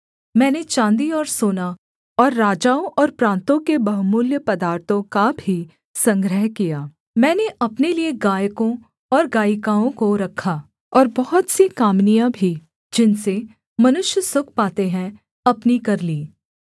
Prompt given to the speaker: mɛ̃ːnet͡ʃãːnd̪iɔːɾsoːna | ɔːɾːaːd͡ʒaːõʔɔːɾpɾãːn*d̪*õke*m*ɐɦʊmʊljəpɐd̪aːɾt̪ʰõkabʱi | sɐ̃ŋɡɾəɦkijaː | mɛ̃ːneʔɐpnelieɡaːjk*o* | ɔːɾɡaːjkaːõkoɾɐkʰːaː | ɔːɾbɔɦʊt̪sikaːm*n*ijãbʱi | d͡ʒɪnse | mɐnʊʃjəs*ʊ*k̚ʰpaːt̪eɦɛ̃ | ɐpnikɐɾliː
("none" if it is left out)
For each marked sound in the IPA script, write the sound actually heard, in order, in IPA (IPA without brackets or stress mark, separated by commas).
t̪, b, õ, n, ʊ